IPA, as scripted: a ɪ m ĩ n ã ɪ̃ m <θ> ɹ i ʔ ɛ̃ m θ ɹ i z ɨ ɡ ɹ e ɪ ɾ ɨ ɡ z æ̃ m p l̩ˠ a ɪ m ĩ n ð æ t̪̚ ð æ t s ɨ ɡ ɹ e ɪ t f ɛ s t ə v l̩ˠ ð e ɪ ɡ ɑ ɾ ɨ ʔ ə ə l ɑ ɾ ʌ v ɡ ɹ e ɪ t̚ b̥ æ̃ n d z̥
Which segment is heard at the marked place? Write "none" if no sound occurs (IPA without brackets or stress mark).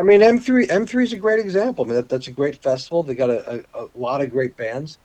θ